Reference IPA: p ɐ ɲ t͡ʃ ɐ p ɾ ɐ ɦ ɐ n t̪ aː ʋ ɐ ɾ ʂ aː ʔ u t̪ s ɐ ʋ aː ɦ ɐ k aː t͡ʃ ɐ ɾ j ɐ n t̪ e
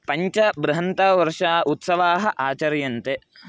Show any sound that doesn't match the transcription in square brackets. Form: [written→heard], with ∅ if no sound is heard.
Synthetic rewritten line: p ɐ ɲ t͡ʃ ɐ [p→b] ɾ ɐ ɦ ɐ n t̪ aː ʋ ɐ ɾ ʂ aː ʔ u t̪ s ɐ ʋ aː ɦ ɐ [k→ʔ] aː t͡ʃ ɐ ɾ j ɐ n t̪ e